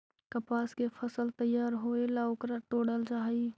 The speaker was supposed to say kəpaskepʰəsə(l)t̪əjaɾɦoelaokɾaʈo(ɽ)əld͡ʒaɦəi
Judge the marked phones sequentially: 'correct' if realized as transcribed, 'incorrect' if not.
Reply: correct, correct

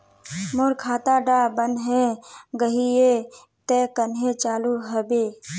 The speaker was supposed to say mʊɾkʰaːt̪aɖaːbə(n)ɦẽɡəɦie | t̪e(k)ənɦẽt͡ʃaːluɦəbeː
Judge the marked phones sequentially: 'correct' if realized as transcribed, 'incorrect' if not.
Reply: correct, correct

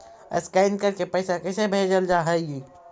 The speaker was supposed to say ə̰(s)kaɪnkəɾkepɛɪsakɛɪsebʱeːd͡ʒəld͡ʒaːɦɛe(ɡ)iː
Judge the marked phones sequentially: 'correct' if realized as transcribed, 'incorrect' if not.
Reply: correct, correct

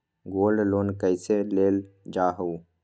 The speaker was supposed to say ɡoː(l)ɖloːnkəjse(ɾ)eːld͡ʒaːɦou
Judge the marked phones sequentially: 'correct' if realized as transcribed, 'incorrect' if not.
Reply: correct, incorrect: l

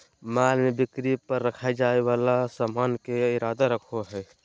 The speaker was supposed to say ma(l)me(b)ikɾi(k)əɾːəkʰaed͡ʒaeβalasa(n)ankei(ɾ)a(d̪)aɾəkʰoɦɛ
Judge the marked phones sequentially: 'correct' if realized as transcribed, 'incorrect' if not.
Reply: correct, correct, incorrect: p, incorrect: m, correct, correct

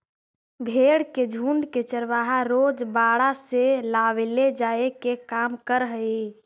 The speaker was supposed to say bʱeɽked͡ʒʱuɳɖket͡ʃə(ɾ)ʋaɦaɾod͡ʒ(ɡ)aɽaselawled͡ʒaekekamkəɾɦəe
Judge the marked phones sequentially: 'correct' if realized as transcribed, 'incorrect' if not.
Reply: correct, incorrect: b

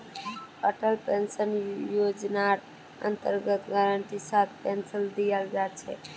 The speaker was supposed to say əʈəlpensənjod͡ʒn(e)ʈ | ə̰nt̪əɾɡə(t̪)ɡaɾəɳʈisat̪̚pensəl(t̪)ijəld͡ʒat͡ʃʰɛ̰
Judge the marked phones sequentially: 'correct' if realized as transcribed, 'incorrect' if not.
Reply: incorrect: a, correct, incorrect: d̪

